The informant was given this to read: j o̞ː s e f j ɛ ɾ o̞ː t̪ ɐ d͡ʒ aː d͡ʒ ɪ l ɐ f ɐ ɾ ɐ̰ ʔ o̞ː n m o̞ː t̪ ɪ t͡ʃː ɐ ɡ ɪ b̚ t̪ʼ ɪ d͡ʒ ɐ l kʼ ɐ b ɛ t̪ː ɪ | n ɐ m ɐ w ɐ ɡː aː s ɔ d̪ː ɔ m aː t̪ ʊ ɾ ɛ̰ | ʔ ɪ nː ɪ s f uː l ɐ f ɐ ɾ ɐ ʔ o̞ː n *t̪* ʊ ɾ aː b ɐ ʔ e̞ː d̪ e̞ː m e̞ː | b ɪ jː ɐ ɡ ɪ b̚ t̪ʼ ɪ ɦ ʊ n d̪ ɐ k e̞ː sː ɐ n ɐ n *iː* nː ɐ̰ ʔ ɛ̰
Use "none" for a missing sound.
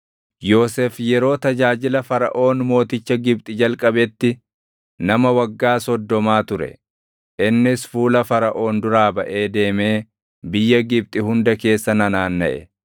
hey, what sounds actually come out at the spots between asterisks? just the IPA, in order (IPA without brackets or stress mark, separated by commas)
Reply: d̪, aː